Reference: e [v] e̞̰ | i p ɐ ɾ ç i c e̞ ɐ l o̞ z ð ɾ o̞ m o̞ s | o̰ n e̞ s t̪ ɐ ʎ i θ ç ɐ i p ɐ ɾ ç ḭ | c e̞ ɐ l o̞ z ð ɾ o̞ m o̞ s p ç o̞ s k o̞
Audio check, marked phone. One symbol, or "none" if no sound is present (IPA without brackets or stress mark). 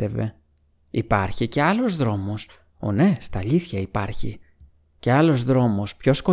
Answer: v